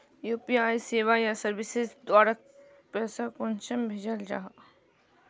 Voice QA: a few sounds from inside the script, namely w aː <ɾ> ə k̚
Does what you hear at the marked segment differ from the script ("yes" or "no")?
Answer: no